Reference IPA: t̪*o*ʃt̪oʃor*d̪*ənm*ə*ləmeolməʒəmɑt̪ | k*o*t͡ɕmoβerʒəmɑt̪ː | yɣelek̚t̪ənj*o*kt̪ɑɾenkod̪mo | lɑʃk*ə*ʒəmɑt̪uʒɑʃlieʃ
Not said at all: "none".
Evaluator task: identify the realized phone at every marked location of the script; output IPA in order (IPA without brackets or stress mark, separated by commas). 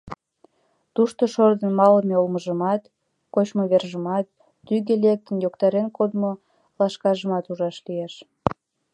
u, d̪, ɑ, o, o, ɑ